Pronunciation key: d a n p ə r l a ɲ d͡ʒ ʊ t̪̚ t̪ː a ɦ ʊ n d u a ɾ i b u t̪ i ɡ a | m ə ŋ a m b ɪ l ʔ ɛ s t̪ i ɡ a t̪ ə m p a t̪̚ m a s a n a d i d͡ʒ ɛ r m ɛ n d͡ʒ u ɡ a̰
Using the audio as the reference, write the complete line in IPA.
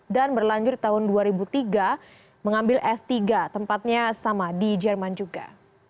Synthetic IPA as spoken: d a n b ə r l a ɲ d͡ʒ ʊ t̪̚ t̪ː a ɦ ʊ n d u a ɾ i b u t̪ i ɡ a | m ə ŋ a m b ɪ l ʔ ɛ s t̪ i ɡ a t̪ ə m p a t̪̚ ɲ a s a m a d i d͡ʒ ɛ r m a n d͡ʒ u ɡ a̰